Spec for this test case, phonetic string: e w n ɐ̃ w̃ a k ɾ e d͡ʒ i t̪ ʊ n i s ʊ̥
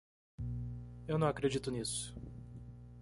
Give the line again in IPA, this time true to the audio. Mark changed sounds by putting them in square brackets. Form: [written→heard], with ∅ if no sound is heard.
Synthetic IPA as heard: e w n ɐ̃ w̃ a k ɾ e d͡ʒ i t̪ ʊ n i s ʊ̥